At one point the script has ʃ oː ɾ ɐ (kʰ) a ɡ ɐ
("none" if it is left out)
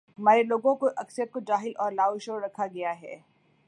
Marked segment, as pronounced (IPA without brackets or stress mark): kʰ